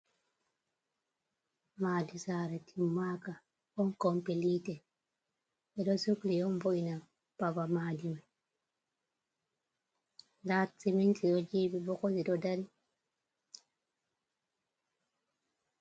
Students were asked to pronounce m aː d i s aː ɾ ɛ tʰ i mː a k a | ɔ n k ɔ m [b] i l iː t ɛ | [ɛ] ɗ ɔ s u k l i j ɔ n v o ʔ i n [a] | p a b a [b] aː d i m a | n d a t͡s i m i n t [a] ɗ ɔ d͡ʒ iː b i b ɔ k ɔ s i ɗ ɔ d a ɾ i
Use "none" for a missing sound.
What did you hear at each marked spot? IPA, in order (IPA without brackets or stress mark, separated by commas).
p, ɛ, a, m, i